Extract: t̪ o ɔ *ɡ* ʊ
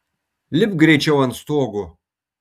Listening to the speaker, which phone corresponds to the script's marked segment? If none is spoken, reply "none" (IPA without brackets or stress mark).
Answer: ɡ